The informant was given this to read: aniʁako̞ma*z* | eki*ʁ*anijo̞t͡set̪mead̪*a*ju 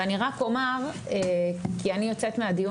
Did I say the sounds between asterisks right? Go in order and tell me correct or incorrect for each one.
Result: incorrect: ʁ, incorrect: none, incorrect: i

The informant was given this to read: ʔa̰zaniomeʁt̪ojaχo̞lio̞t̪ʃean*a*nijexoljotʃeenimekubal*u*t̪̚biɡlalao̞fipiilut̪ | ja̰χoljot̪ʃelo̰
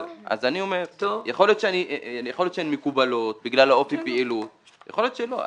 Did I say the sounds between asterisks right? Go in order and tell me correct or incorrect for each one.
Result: incorrect: i, incorrect: o

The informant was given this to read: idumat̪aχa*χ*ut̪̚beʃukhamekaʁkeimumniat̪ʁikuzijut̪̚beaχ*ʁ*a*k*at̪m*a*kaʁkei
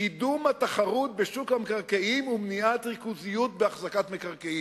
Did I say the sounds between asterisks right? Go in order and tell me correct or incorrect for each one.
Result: incorrect: ʁ, incorrect: z, correct, incorrect: e

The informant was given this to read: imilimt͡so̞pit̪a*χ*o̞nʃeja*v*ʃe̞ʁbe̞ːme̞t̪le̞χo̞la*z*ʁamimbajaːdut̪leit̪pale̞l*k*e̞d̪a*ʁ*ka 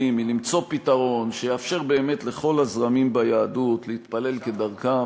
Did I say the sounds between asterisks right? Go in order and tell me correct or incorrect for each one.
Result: incorrect: ʁ, incorrect: f, correct, correct, correct

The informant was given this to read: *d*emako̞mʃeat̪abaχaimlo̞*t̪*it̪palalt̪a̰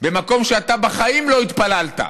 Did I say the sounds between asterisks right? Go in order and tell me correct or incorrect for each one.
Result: incorrect: b, incorrect: none

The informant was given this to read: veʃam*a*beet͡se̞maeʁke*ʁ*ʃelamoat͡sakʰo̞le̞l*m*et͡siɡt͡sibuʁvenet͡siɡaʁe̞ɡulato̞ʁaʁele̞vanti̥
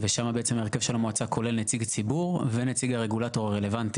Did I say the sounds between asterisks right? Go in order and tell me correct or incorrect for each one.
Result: correct, incorrect: v, incorrect: n

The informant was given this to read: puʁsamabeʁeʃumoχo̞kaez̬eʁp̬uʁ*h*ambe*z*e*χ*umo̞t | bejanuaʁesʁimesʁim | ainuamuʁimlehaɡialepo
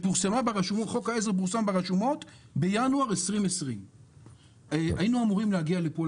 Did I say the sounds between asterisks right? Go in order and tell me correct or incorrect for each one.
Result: incorrect: s, incorrect: ʁ, incorrect: ʃ

